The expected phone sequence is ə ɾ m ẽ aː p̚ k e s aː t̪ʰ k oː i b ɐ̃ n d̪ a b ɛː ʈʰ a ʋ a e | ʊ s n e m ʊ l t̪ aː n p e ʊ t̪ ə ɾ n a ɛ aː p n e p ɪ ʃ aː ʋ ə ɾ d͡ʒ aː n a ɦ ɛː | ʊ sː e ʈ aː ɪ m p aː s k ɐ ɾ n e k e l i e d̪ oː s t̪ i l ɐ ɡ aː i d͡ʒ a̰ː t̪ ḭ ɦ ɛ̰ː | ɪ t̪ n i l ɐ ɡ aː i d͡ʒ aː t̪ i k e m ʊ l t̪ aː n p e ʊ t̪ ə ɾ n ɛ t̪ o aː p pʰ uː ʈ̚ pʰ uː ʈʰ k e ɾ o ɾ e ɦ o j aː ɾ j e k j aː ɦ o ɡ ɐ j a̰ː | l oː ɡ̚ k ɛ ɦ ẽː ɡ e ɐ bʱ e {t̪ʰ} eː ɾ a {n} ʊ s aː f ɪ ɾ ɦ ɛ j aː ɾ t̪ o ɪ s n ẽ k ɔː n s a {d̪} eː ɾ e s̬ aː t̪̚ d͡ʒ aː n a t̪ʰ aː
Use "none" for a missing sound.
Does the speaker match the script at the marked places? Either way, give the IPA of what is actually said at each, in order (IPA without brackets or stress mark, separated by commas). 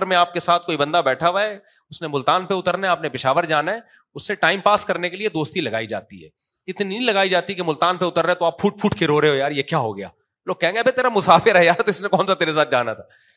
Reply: t̪, m, t̪